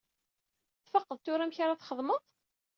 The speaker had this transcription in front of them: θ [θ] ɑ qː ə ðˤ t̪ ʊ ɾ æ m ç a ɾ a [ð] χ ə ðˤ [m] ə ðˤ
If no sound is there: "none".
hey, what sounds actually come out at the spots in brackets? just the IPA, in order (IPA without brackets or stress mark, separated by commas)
f, θ, m